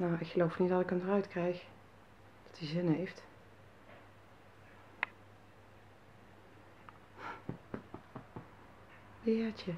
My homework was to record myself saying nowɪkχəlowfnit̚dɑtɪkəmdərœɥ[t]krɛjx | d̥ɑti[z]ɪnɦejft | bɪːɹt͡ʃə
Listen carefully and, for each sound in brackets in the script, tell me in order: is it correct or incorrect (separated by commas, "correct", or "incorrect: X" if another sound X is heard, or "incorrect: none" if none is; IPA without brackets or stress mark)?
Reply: correct, correct